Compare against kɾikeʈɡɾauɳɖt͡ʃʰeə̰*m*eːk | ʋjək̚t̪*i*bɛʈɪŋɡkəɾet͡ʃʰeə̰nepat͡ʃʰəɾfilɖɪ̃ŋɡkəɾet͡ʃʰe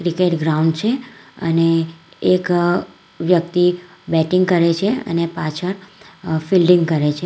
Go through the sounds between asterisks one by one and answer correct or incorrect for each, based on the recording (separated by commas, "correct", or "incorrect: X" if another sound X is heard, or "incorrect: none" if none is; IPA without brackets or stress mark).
incorrect: n, correct